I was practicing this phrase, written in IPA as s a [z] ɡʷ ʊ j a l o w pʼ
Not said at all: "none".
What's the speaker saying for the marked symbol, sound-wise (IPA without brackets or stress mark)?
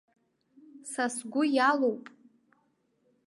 s